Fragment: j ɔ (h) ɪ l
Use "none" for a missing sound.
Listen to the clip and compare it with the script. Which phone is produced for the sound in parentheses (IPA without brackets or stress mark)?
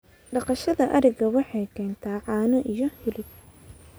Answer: h